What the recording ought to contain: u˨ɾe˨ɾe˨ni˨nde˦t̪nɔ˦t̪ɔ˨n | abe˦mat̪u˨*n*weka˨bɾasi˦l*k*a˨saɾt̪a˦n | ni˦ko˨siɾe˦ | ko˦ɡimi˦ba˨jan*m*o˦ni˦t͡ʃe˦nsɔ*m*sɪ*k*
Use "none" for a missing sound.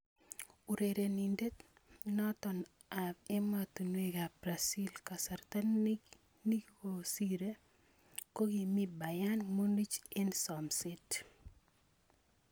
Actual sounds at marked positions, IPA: n, k, m, m, t

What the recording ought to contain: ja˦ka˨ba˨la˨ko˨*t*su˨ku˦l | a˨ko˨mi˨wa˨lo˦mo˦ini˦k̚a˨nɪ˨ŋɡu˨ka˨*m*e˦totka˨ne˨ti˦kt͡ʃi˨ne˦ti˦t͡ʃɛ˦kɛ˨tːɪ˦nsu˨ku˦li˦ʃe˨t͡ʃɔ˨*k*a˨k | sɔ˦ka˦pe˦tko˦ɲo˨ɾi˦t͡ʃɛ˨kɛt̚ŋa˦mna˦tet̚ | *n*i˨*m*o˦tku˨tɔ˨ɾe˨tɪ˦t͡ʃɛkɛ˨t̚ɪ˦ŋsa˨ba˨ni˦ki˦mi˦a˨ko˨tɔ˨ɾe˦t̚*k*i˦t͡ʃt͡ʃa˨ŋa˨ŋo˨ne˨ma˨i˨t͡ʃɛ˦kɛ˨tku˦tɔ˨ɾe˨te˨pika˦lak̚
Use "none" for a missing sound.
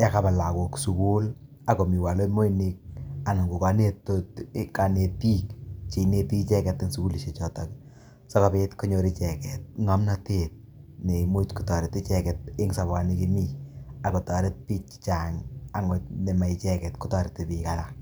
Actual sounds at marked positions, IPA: k, n, t, n, m, p

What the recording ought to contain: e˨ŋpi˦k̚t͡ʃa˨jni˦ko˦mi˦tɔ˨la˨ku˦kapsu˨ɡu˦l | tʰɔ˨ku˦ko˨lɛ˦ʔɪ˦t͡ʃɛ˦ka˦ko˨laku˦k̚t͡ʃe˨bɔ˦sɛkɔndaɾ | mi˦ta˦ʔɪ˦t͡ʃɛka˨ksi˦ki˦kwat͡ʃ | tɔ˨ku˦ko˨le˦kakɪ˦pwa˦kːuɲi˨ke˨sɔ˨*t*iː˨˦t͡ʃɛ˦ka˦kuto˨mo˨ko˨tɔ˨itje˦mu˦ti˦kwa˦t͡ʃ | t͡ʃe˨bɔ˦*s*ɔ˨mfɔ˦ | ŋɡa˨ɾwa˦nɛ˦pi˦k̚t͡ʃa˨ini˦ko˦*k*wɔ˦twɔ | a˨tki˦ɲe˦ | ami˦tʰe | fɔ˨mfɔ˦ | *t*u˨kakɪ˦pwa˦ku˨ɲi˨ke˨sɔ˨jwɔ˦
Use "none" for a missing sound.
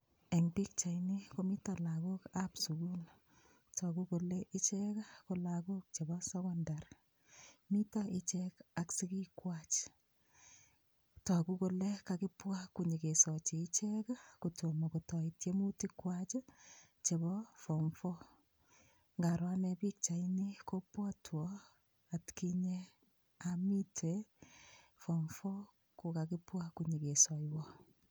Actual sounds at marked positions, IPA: t͡ʃ, f, p, k

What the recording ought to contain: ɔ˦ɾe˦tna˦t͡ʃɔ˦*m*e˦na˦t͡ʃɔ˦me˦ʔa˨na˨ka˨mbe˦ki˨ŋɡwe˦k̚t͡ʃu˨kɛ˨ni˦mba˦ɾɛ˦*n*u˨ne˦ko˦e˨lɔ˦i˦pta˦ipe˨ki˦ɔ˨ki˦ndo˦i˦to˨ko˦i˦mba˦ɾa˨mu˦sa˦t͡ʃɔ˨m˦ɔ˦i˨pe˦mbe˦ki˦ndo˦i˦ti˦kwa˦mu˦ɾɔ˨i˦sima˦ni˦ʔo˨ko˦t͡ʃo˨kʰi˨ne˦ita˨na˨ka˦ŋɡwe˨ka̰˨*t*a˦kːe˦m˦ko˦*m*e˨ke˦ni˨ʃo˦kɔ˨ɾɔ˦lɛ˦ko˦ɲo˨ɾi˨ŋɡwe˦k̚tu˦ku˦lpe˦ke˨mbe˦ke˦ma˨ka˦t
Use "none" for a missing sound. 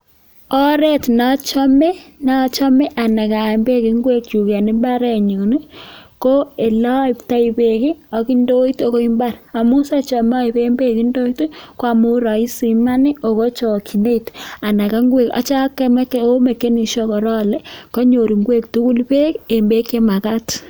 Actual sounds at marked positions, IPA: m, ɲ, t͡ʃ, m

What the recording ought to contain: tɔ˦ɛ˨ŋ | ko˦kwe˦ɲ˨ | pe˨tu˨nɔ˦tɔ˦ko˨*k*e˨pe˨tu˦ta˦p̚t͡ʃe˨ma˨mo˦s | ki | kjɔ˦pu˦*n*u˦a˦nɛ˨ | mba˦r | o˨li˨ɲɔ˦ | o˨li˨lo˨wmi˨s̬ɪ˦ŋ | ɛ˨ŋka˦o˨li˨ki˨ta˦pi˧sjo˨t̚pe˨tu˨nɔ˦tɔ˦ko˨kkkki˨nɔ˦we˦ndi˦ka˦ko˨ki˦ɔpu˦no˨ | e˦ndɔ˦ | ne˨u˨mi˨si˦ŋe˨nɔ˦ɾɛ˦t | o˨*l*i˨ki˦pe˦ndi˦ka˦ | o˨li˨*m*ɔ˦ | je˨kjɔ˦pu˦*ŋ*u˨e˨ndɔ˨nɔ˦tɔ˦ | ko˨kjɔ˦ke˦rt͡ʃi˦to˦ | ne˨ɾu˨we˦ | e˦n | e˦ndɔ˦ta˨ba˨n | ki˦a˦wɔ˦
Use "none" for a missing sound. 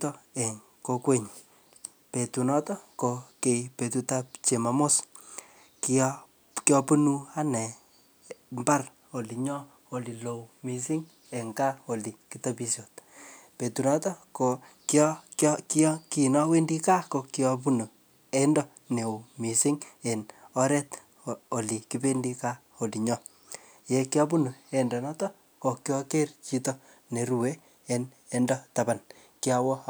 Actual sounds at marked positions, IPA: k, n, l, ɲ, n

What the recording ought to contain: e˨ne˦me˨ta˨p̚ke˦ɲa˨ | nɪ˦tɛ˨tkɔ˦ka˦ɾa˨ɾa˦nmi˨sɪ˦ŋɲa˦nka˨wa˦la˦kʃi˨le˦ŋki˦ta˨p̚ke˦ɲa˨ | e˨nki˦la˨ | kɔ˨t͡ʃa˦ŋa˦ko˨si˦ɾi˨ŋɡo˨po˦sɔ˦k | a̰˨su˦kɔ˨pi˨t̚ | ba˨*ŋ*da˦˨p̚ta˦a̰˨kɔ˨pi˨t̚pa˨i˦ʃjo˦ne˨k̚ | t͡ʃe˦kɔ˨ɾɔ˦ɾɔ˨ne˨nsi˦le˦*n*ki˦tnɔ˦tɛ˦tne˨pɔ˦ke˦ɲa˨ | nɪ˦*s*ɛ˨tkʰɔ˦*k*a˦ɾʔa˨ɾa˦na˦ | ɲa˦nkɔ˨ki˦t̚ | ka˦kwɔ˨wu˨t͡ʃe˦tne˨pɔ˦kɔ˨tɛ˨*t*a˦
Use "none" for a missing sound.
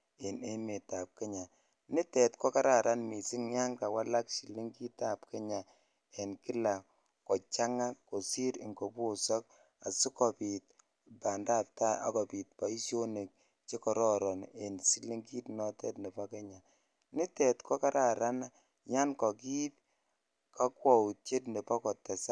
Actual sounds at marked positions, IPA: n, ŋ, t, k, s

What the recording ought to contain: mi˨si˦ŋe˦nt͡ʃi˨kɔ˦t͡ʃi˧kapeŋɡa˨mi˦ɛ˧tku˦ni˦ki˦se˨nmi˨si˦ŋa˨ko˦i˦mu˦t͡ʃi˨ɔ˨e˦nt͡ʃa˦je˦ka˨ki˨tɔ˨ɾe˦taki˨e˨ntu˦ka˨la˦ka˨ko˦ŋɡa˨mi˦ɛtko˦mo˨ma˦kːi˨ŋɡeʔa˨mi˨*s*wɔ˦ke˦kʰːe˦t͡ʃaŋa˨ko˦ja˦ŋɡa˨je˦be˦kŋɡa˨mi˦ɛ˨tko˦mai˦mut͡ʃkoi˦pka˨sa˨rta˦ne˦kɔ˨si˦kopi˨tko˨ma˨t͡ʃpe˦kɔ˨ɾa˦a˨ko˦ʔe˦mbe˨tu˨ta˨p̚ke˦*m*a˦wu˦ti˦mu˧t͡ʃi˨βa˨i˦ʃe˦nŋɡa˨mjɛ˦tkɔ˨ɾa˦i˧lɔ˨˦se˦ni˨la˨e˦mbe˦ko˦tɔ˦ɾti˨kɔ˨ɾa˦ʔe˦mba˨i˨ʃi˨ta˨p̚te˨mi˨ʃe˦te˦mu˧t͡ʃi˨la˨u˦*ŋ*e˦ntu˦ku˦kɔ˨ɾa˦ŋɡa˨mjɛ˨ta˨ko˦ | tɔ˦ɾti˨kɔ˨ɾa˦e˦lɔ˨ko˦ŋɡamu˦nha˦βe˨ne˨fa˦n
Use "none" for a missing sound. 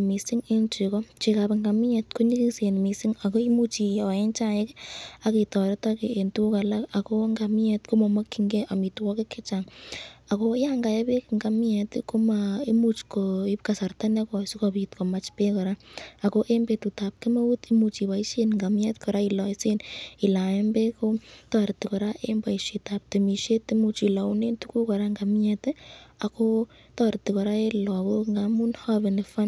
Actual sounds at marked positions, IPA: t, m, n

